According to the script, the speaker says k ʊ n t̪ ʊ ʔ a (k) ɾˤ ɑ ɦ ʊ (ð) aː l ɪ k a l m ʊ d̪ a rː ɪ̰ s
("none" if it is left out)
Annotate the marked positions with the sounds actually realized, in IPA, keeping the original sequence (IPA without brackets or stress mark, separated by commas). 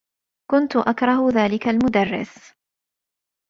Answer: k, ð